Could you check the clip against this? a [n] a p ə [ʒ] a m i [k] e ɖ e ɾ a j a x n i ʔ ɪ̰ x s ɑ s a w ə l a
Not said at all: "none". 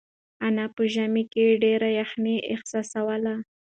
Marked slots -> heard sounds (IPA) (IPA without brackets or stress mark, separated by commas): n, ʒ, k